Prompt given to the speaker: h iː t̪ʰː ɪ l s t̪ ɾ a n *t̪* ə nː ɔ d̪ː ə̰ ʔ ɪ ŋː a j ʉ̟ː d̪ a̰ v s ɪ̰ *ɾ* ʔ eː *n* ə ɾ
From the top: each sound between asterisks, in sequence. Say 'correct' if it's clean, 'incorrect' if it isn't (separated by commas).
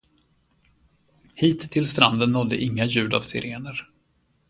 incorrect, correct, correct